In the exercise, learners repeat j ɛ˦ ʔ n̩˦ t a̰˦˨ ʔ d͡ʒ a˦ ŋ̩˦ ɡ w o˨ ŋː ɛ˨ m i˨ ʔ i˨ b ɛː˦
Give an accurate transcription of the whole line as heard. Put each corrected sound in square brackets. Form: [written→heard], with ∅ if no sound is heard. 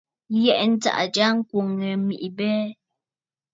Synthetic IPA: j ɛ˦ ʔ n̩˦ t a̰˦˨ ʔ d͡ʒ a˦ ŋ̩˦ [ɡ→k] w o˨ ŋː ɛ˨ m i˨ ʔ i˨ b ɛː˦